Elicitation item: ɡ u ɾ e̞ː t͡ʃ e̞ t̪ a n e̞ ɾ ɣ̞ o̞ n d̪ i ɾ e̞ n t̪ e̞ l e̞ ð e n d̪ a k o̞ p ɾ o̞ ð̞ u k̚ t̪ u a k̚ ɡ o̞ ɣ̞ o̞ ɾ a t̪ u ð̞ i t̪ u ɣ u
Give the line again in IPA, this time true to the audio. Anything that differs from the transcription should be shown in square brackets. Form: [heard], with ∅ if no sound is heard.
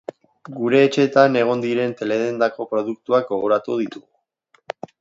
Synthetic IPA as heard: ɡ u ɾ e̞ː t͡ʃ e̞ t̪ a n e̞ [∅] ɣ̞ o̞ n d̪ i ɾ e̞ n t̪ e̞ l e̞ ð e n d̪ a k o̞ p ɾ o̞ ð̞ u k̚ t̪ u a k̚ ɡ o̞ ɣ̞ o̞ ɾ a t̪ u ð̞ i t̪ u ɣ u